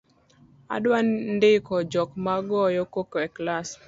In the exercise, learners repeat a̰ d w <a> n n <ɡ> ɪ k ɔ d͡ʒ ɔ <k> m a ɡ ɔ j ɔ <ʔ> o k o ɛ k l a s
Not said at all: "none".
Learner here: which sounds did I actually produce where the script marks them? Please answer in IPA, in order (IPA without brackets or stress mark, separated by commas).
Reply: a, d, k, k